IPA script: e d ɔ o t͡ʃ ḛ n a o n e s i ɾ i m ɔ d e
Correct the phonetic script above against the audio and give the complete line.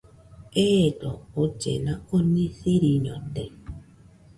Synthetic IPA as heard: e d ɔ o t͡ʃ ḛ n a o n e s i ɾ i ɲ ɔ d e